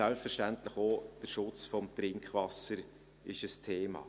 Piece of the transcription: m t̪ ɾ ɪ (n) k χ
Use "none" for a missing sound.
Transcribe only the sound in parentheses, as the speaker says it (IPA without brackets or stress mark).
ŋ